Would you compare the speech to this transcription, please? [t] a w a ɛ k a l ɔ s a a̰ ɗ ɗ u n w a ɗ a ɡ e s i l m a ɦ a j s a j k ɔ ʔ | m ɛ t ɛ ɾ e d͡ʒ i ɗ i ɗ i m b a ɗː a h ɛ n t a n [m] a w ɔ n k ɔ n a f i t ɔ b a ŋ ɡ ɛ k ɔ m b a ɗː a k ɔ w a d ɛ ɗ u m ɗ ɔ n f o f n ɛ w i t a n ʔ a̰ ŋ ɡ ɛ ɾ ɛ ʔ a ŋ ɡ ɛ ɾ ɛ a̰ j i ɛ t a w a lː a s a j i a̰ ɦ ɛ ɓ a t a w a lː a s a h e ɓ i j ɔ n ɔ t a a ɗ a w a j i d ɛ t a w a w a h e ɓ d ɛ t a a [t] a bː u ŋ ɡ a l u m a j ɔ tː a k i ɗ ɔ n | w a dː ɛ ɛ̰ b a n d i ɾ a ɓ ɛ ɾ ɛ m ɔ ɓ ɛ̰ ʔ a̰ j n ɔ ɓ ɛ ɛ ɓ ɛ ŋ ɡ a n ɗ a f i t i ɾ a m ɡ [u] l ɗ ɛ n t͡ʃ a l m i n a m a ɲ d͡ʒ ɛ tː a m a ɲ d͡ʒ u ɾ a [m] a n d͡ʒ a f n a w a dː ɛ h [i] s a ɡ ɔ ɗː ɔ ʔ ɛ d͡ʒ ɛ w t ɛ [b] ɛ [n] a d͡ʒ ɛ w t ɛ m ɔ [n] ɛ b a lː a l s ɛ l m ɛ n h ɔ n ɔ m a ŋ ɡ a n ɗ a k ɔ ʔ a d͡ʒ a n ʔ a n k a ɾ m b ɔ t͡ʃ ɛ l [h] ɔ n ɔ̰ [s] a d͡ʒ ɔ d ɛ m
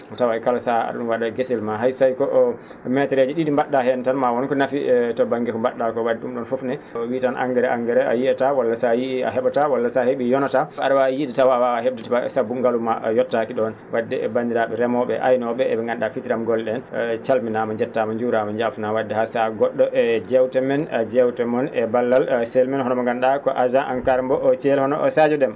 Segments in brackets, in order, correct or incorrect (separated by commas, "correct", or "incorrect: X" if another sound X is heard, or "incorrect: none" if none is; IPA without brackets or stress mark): correct, correct, incorrect: s, incorrect: ɔ, correct, incorrect: a, incorrect: m, correct, correct, correct, correct